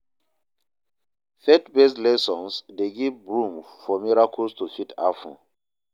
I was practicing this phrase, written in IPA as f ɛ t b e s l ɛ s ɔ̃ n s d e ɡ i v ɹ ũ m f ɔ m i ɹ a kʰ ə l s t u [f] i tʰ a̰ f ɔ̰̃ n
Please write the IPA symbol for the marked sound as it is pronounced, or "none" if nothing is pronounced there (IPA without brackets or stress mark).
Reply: f